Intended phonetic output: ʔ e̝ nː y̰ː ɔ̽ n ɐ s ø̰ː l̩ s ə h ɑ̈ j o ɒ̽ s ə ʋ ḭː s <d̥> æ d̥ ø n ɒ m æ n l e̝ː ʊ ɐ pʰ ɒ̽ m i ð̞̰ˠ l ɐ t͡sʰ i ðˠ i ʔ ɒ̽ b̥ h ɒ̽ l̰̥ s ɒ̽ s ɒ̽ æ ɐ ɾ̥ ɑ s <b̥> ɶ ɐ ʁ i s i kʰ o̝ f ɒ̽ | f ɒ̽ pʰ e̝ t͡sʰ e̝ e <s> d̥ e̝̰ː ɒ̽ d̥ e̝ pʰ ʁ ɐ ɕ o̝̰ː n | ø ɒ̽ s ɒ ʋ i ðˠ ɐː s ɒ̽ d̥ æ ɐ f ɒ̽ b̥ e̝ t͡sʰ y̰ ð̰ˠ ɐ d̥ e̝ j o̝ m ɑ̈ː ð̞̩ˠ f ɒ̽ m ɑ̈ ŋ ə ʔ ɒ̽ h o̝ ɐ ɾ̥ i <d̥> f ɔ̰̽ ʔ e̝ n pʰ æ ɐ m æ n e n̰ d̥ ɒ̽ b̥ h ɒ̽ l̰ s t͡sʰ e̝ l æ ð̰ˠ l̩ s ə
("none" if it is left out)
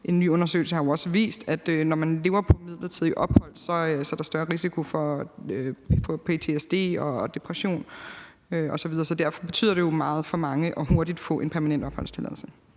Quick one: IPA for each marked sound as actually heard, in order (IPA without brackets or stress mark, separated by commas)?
d̥, d̥, s, d̥